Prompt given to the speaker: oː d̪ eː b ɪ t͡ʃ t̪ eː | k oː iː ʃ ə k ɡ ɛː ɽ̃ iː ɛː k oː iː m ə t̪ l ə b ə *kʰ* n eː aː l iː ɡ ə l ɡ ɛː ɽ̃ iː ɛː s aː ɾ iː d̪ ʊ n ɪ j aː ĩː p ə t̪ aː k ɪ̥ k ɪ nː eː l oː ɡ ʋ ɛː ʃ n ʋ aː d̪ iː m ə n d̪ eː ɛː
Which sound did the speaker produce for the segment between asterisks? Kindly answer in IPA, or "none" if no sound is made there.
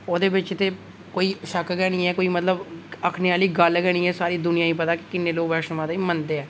kʰ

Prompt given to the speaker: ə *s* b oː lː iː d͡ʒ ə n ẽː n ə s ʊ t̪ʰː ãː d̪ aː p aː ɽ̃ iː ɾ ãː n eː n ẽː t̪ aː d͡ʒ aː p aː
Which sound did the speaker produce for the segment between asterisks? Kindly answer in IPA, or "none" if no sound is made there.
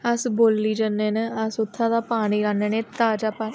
s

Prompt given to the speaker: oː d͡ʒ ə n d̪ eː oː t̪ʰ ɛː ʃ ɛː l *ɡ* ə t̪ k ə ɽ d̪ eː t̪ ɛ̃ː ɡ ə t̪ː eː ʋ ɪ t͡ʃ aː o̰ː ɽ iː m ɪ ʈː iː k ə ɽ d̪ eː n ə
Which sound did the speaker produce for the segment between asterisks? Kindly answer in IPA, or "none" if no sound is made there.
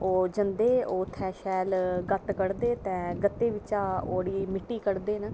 ɡ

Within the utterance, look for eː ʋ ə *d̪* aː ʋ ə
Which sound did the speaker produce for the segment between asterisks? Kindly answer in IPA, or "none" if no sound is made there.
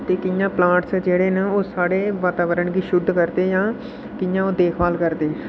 t̪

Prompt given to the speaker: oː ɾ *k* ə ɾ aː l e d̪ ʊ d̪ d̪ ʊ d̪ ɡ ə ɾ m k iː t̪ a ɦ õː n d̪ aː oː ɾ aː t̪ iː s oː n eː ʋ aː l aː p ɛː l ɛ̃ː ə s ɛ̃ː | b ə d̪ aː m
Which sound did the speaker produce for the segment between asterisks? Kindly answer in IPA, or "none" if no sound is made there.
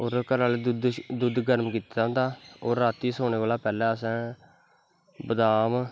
k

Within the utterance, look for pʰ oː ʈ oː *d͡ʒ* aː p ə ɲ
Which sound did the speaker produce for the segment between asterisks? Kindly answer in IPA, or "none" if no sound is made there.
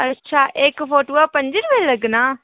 none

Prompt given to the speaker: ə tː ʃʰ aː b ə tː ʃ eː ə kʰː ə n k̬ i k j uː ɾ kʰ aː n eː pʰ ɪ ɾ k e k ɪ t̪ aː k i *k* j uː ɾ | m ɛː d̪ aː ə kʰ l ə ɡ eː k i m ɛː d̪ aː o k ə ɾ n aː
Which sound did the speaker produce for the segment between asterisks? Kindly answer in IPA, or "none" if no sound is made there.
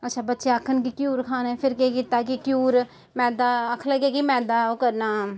k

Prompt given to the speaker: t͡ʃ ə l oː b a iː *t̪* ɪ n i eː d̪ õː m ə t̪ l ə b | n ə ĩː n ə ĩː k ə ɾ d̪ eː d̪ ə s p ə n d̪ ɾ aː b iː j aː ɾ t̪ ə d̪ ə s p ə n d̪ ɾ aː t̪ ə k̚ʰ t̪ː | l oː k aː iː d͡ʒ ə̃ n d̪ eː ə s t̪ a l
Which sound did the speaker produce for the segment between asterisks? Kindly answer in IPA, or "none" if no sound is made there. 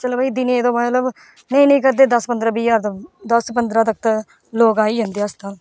d̪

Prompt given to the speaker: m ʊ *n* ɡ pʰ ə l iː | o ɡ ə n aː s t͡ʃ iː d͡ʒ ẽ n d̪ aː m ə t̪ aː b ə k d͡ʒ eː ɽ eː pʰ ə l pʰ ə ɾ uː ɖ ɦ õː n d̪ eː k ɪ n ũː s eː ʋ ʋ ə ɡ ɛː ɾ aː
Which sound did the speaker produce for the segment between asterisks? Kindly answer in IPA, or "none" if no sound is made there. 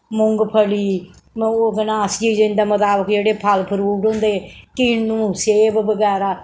ŋ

